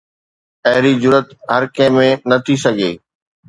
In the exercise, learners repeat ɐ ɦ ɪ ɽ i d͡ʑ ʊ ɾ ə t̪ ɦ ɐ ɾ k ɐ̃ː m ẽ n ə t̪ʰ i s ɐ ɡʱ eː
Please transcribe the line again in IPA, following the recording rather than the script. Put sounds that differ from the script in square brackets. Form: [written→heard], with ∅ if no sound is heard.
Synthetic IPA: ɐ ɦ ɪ [ɽ→ɾ] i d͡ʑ ʊ ɾ ə t̪ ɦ ɐ ɾ k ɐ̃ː m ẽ n [ə→ɐ] t̪ʰ i s ɐ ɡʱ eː